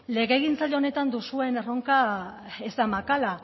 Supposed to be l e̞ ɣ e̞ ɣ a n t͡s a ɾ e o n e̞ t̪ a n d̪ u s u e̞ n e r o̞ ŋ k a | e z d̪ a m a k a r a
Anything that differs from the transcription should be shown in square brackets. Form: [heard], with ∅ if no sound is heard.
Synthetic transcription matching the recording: l e̞ ɣ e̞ ɣ [i] n t͡s a [ʎ] e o n e̞ t̪ a n d̪ u s u e̞ n e r o̞ ŋ k a | e z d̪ a m a k a [l] a